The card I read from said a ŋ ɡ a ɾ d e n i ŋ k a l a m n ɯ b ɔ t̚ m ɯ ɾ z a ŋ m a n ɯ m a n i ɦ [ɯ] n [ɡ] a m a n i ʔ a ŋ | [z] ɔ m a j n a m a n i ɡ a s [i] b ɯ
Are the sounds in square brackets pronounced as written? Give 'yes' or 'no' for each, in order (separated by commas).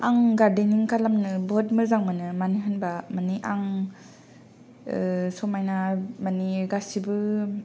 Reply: yes, no, no, yes